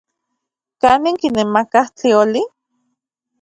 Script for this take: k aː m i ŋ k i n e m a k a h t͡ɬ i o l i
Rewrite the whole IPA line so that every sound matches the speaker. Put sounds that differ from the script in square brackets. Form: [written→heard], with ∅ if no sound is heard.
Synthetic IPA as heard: k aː [m→n] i ŋ k i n e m a k a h t͡ɬ i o l i